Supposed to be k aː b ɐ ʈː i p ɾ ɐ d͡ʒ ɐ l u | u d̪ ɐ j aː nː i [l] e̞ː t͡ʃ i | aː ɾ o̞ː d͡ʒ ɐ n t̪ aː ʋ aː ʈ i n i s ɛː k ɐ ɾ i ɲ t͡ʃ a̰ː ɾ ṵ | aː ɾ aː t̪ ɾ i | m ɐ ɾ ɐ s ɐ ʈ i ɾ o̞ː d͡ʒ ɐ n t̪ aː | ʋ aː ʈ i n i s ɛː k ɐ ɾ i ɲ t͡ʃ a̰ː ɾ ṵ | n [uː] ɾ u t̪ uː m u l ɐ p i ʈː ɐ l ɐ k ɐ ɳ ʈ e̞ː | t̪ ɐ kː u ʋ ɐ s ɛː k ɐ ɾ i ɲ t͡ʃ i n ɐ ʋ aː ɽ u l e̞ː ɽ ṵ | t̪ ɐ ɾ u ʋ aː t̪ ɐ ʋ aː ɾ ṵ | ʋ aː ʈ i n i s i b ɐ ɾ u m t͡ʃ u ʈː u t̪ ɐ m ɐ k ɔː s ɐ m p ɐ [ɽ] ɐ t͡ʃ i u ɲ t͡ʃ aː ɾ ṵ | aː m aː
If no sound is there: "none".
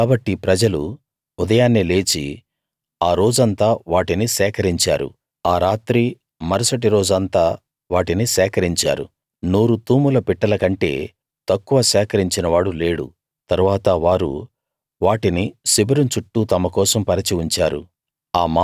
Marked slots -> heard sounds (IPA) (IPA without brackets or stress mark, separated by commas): l, uː, ɾ